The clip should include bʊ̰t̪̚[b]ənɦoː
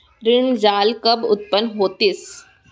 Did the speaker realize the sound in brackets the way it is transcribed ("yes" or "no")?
no